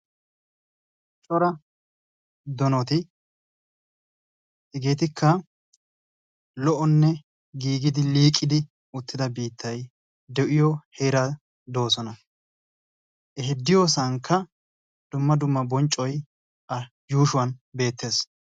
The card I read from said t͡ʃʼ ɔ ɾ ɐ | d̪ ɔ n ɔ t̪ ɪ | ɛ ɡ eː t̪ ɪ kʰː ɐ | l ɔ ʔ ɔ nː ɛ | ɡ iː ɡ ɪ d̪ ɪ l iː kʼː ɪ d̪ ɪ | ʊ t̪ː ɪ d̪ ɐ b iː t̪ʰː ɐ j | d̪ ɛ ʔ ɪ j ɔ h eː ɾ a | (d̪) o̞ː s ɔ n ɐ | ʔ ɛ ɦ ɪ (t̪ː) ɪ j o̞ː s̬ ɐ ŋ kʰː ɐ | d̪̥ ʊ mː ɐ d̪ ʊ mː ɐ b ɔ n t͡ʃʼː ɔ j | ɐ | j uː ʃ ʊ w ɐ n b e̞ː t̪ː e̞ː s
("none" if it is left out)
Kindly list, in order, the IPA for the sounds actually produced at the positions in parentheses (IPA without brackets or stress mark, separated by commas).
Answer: d̪, d̪ː